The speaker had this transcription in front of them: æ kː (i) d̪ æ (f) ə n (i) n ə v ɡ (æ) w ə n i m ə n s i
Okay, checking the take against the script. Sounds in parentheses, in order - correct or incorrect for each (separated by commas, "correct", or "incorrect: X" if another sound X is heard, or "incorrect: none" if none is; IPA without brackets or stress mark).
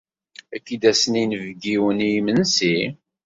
correct, incorrect: s, correct, incorrect: i